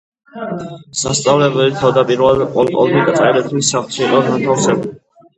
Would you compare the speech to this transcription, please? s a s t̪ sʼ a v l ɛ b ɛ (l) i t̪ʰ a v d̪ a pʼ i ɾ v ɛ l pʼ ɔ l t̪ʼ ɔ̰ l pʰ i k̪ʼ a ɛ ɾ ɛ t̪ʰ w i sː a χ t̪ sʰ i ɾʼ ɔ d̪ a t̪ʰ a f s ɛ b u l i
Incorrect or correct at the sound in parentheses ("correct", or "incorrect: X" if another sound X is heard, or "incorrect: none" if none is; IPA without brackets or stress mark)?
correct